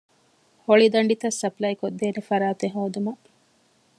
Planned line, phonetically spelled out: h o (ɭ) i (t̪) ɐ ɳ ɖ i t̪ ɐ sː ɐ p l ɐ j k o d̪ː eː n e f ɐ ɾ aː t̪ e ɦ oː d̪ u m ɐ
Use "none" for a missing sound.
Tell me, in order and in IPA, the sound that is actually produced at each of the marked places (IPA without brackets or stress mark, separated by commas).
ɭ, d̪